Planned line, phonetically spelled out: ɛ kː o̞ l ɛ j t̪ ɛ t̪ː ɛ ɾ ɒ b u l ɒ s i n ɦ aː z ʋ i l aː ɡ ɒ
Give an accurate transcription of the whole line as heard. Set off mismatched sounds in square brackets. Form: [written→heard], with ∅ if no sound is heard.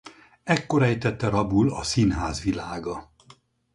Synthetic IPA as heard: ɛ kː o̞ [l→ɾ] ɛ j t̪ ɛ t̪ː ɛ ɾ ɒ b u l ɒ s i n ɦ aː z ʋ i l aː ɡ ɒ